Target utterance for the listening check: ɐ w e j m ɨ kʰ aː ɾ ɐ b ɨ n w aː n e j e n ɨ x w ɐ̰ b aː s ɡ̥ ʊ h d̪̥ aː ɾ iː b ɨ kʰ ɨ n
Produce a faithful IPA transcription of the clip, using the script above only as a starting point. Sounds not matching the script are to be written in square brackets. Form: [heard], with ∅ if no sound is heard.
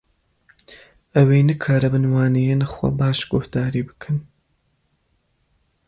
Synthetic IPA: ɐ w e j [n] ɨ kʰ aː ɾ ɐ b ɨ n w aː n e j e n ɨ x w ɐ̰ b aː [ʃ] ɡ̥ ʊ h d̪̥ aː ɾ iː b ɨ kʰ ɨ n